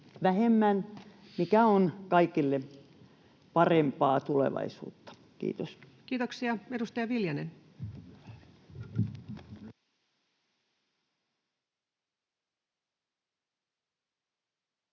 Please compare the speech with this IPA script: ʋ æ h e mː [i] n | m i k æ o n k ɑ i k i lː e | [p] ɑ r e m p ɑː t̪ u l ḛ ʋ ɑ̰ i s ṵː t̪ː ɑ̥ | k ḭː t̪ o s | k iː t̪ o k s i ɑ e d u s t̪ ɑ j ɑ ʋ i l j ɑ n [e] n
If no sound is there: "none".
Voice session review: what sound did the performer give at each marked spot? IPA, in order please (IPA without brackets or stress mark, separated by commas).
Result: æ, p, e